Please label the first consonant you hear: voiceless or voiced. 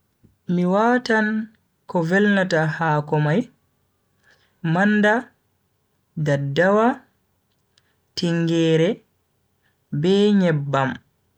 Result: voiced